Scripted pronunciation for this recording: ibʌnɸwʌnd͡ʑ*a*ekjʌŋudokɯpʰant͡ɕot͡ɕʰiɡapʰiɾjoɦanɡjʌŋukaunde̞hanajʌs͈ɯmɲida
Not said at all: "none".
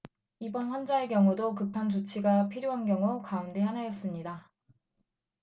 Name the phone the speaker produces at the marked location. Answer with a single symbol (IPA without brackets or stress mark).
a